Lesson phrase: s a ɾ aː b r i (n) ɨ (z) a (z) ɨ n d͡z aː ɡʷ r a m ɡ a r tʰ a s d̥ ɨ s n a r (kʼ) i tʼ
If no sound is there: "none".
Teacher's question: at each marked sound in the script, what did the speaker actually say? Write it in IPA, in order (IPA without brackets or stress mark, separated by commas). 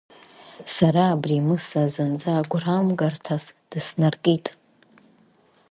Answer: m, s, z, kʼ